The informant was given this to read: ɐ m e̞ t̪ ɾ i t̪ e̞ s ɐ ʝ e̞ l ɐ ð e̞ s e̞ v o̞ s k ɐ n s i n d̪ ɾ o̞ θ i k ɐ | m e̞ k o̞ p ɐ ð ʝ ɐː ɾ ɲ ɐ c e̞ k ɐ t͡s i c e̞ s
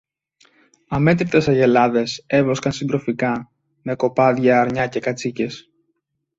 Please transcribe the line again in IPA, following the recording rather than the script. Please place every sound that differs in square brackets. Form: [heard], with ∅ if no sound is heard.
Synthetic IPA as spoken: ɐ m e̞ t̪ ɾ i t̪ e̞ s ɐ ʝ e̞ l ɐ ð e̞ s e̞ v o̞ s k ɐ n s i n d̪ ɾ o̞ [f] i k ɐ | m e̞ k o̞ p ɐ ð ʝ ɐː ɾ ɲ ɐ c e̞ k ɐ t͡s i c e̞ s